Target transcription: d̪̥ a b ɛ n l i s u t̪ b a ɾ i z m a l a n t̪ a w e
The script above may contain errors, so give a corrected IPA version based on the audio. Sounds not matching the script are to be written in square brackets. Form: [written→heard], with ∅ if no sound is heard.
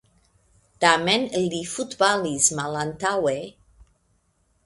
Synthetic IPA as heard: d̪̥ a [b→m] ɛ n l i [s→f] u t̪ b a [ɾ→l] i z m a l a n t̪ a w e